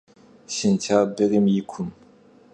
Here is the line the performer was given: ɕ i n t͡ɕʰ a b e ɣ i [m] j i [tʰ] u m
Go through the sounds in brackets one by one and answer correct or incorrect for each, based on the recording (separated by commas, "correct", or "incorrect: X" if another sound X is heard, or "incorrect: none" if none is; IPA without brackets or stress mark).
correct, incorrect: kʰ